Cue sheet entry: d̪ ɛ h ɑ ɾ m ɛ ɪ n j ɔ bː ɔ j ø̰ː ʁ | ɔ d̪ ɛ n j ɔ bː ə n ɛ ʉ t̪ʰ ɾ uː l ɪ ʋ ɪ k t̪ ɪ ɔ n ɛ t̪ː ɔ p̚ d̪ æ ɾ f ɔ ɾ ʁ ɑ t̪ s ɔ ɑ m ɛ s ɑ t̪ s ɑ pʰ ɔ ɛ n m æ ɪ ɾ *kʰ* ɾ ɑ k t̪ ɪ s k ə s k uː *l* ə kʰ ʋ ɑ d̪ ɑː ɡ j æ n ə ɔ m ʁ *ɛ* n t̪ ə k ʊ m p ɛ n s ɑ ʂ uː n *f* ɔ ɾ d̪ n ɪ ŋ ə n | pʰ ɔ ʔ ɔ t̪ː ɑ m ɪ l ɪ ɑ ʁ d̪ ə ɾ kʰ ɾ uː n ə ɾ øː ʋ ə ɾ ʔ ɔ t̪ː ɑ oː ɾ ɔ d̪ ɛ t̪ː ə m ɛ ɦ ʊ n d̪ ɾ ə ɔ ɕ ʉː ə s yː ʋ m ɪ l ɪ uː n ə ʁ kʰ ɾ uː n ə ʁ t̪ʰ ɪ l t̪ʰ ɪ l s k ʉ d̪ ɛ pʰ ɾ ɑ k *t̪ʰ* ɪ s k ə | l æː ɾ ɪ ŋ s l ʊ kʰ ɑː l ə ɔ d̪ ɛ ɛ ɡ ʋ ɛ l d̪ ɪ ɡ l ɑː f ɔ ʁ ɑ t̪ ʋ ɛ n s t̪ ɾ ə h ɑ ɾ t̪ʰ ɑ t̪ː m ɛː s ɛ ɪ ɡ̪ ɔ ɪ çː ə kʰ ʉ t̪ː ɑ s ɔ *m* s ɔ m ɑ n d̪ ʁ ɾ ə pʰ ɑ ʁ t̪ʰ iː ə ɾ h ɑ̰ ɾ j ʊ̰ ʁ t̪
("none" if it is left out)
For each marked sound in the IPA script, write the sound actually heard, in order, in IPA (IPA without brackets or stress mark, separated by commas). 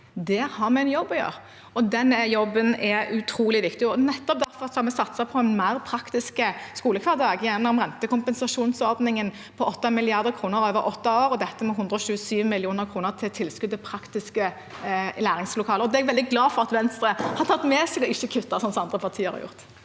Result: pʰ, l, ɛ, s, t̪, n